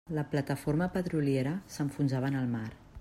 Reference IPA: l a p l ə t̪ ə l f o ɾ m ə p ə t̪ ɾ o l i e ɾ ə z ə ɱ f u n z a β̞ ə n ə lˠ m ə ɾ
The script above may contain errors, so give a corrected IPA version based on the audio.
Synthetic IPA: l ə p l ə t̪ ə f o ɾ m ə p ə t̪ ɾ u l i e ɾ ə s ə ɱ f u n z a β̞ ə n ə lˠ m a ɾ

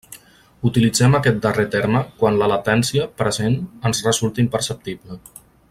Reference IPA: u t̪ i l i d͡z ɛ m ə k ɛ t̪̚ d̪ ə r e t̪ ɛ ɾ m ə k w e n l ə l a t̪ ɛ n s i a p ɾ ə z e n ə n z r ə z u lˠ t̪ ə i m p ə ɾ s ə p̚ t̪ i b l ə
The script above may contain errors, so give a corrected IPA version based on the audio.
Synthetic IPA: u t̪ i l i d͡z ɛ m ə k ɛ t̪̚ d̪ ə r e t̪ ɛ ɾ m ə k w a n l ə l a t̪ ɛ n s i ə p ɾ ə z e n ə n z r ə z u lˠ t̪ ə i m p ə ɾ s ə p̚ t̪ i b l ə

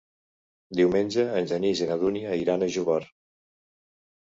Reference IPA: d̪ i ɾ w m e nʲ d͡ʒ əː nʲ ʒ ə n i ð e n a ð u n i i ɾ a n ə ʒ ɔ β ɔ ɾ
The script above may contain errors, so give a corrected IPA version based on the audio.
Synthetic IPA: d̪ i w m e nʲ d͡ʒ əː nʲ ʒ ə n i z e n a ð u n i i ɾ a n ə ʒ u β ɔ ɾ

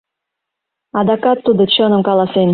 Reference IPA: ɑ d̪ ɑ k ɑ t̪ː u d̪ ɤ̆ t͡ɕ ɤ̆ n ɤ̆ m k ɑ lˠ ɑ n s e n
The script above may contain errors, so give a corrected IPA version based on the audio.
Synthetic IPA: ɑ d̪ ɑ k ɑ t̪ː u d̪ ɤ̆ t͡ɕ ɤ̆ n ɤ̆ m k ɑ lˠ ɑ s e n

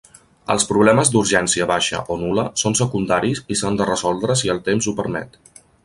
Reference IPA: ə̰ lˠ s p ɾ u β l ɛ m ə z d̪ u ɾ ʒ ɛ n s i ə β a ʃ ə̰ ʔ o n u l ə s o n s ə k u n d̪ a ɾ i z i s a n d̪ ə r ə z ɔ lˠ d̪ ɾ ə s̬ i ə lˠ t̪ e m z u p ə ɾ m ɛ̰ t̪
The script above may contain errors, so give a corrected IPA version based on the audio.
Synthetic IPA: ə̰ lˠ s p ɾ u β l ɛ m ə z d̪ u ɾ ʒ ɛ n s i ə β a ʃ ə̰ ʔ o n u l ə s o n s ə k u n d̪ a ɾ i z i s a n d̪ ə r ə z ɔ lˠ d̪ ɾ ə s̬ i ə lˠ t̪ e m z u p ə ɾ m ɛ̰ t̪

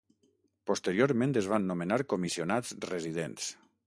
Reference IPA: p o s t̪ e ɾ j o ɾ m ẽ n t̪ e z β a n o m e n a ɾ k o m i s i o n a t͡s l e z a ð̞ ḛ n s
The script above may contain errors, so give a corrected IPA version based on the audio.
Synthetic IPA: p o s t̪ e ɾ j o ɾ m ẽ n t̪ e z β a nː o m e n a ɾ k o m i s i o n a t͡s r e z i ð̞ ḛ n s

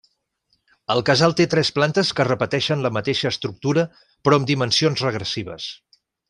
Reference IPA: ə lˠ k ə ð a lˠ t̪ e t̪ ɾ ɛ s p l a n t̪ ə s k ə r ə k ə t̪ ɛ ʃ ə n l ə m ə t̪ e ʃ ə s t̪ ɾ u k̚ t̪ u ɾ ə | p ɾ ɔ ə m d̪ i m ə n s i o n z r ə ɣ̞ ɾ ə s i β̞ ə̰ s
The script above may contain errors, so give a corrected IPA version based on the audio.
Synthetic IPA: ə lˠ k ə z a lˠ t̪ e t̪ ɾ ɛ s p l a n t̪ ə s k ə r ə p ə t̪ ɛ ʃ ə n l ə m ə t̪ e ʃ əː s t̪ ɾ u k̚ t̪ u ɾ ə | p ɾ ɔ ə m d̪ i m ə n s i o n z r ə ɣ̞ ɾ ə s i β̞ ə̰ s

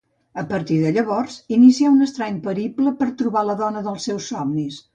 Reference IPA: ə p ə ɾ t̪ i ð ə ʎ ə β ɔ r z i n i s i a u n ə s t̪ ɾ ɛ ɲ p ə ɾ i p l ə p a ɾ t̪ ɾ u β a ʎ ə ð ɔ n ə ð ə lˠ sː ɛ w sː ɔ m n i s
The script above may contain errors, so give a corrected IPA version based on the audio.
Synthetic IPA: ə p ə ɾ t̪ i ð ə ʎ ə β ɔ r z i n i s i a u n ə s t̪ ɾ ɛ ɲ p ə ɾ i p l ə p ə ɾ t̪ ɾ u β a l ə ð ɔ n ə ð ə lˠ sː ɛ w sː ɔ m n i s

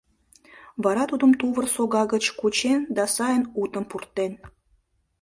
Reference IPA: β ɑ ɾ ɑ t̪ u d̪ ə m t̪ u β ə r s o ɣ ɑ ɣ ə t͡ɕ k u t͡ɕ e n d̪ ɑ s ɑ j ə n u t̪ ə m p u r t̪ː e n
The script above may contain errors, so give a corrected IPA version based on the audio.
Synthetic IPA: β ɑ ɾ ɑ t̪ u d̪ ə m t̪ u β ə r s o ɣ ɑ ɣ ə t͡ɕ k u t͡ɕ e n d̪ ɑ s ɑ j ə n u t̪ ə m p u r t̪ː e n

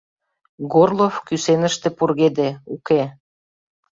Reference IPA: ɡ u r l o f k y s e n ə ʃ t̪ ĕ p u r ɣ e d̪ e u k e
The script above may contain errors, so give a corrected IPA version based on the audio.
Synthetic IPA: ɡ o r l o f k y s e n ə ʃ t̪ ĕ p u r ɣ e d̪ e u k e

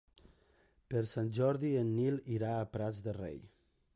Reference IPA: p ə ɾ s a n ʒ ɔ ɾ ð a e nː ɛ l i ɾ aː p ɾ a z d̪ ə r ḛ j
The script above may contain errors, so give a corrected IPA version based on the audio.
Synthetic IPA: p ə ɾ s a n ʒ ɔ ɾ ð i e nː i l i ɾ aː p ɾ a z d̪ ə r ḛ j

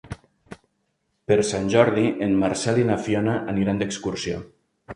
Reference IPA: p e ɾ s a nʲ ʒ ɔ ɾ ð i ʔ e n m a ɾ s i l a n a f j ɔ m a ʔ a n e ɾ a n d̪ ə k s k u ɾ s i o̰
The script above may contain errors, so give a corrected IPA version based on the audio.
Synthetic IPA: p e ɾ s a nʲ ʒ ɔ ɾ ð i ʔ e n m a ɾ s ɛ l i n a f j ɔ n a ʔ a n i ɾ a n d̪ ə k s k u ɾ s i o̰

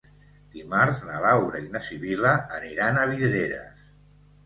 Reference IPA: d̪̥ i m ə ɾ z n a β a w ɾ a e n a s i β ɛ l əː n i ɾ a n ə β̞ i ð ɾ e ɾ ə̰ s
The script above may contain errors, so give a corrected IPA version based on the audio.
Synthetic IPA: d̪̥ i m a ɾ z n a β a w ɾ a i n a s i β i l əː n i ɾ a n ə β̞ i ð ɾ e ɾ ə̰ s

